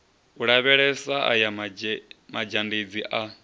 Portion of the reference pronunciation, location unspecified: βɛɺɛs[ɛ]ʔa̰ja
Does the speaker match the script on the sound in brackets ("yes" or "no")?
no